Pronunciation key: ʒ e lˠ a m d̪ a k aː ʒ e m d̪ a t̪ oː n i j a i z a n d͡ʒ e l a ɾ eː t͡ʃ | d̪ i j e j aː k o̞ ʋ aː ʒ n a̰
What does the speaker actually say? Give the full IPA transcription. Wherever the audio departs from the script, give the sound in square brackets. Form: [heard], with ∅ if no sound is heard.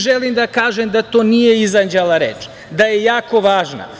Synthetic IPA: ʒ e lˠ [i] m d̪ a k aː ʒ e m d̪ a t̪ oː n i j [e] i z a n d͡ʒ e l a ɾ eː t͡ʃ | d̪ [a] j e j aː k o̞ ʋ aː ʒ n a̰